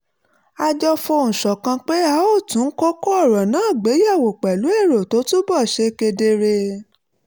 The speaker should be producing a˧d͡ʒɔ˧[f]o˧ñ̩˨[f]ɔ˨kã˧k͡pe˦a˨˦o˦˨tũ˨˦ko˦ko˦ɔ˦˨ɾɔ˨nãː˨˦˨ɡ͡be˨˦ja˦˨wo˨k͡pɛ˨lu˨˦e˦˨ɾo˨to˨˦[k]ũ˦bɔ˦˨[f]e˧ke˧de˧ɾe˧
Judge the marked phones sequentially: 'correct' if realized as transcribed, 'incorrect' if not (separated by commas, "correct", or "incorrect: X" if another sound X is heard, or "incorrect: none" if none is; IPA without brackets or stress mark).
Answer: correct, incorrect: ʃ, incorrect: t, incorrect: ʃ